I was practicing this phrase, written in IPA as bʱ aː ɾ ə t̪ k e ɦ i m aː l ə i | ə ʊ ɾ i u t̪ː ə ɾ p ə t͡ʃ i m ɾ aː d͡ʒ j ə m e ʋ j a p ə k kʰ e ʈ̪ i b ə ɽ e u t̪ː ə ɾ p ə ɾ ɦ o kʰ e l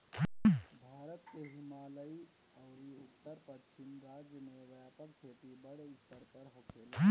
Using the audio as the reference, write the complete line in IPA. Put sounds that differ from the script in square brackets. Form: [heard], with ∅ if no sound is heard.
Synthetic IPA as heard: bʱ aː ɾ ə t̪ k e ɦ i m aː l ə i | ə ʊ ɾ i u t̪ː ə ɾ p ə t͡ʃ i m ɾ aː d͡ʒ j ə m e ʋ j a p ə k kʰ e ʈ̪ i b ə ɽ e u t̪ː ə ɾ p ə ɾ ɦ o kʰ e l

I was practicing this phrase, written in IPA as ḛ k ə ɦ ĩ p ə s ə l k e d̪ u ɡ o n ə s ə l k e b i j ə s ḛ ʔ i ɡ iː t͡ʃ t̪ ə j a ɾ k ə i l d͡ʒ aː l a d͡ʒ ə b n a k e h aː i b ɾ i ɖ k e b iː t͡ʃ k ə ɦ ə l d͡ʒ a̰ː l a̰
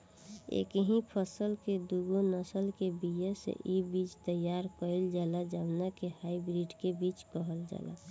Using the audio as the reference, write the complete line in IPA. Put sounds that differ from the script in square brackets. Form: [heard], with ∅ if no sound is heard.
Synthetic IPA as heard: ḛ k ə ɦ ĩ [pʰ] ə s ə l k e d̪ u ɡ o n ə s ə l k e b i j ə s ḛ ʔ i [b] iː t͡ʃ t̪ ə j a ɾ k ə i l d͡ʒ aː l a d͡ʒ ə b n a k e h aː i b ɾ i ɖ k e b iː t͡ʃ k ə ɦ ə l d͡ʒ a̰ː l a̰

